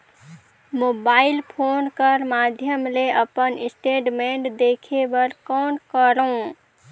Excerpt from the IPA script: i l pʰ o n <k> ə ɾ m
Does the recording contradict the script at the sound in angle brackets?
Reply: no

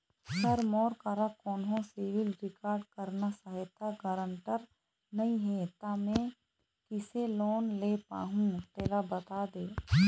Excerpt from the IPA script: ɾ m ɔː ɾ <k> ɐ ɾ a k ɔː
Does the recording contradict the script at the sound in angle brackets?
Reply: no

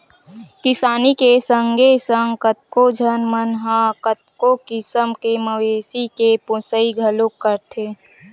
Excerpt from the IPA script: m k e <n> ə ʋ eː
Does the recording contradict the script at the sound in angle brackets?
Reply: yes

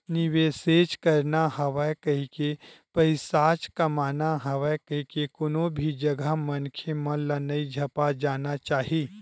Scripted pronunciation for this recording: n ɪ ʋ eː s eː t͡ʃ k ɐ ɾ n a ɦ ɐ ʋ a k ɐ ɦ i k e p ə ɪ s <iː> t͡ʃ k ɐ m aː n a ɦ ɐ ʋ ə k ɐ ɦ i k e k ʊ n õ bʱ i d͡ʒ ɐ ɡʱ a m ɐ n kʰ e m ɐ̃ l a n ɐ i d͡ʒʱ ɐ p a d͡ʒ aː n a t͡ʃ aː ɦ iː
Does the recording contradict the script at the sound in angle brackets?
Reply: yes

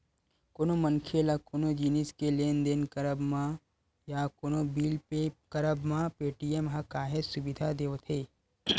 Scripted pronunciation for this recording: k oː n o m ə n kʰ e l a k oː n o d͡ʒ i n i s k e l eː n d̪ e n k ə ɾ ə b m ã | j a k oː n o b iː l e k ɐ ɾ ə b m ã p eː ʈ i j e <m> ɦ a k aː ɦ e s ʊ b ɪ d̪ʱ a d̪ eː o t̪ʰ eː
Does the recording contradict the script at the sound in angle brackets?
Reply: no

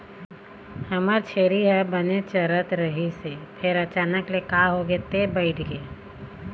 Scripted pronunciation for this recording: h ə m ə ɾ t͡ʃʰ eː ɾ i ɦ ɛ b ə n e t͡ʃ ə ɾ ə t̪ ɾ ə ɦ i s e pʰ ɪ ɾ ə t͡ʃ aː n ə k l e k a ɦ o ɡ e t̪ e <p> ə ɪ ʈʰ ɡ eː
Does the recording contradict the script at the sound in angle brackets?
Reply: yes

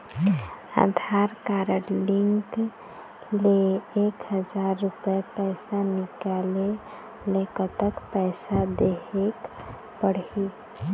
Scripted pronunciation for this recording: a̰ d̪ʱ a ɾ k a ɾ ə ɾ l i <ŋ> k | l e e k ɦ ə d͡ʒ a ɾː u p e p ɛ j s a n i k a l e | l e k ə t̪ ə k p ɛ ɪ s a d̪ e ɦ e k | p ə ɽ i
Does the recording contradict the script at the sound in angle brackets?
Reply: no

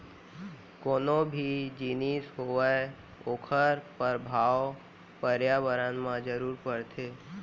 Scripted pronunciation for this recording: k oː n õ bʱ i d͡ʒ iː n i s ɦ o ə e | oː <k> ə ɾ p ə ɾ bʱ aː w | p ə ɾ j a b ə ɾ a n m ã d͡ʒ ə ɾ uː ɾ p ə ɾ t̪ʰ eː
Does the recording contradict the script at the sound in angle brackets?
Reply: yes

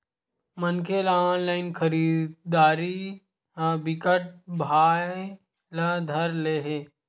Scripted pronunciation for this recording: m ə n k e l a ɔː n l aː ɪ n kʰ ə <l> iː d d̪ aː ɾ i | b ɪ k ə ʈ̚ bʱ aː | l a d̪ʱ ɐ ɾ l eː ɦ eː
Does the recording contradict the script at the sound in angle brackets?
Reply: yes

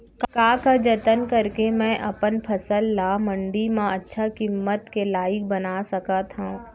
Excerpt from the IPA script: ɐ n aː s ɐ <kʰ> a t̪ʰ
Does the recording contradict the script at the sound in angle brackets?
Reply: yes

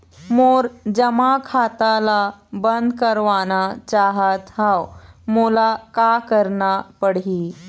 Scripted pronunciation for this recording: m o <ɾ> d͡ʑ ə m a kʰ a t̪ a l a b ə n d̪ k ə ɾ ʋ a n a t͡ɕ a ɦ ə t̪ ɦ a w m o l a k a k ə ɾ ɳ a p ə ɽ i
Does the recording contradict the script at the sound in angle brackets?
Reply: no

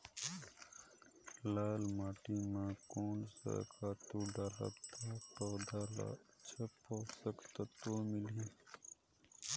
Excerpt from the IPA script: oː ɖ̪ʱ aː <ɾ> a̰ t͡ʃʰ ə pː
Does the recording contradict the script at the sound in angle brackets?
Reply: yes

